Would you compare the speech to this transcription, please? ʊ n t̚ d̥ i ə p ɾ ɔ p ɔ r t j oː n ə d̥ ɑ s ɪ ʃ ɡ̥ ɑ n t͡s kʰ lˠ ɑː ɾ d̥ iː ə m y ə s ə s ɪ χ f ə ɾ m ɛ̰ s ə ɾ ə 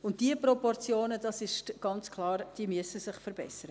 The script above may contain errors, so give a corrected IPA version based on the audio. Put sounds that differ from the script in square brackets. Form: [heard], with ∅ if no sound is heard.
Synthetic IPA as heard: ʊ n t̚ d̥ i ə p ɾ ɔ p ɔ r [t͡s] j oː n ə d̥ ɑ s ɪ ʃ ɡ̥ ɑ n t͡s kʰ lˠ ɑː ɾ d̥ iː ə m y ə s ə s ɪ χ f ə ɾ [b] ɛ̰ s ə ɾ ə